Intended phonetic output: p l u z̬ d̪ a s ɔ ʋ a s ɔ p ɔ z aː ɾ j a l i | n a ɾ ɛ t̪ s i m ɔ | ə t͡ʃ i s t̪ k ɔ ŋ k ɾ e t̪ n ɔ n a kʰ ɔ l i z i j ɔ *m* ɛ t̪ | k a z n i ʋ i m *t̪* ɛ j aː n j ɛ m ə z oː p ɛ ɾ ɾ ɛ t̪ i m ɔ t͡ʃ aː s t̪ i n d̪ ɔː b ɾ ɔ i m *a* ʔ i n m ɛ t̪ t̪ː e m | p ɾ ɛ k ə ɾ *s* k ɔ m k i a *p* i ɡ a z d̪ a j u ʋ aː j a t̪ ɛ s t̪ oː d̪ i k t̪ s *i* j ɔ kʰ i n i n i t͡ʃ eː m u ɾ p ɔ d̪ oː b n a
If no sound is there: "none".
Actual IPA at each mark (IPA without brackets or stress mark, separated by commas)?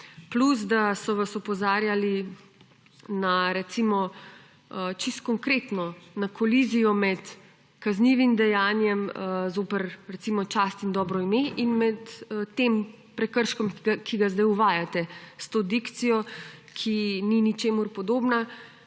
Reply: m, d̪, e, ʃ, k, i